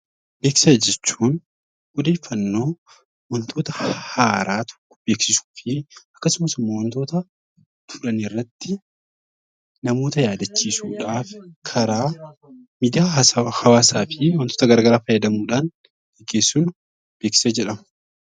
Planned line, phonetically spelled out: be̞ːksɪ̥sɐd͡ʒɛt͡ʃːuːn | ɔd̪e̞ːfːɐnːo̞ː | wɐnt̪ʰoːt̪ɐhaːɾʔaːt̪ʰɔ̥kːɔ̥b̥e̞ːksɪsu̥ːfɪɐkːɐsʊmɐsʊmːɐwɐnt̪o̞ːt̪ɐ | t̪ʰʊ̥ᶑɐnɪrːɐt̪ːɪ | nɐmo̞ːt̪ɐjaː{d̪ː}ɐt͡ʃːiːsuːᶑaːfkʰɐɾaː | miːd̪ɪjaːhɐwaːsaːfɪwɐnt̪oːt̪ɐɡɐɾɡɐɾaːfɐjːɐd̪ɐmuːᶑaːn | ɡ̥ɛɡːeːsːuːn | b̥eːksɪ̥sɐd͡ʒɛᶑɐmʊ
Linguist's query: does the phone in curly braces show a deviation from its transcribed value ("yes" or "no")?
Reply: yes